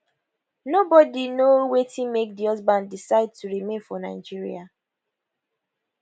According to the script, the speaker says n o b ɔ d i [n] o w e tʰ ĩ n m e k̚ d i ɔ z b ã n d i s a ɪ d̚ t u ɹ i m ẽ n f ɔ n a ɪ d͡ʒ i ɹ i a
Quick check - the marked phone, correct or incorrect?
correct